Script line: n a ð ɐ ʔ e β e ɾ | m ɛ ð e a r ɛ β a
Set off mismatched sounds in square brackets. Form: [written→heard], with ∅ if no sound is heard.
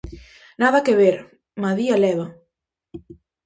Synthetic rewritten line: n a ð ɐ [ʔ→k] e β e ɾ | m [ɛ→a] ð [e→i] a [r→l] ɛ β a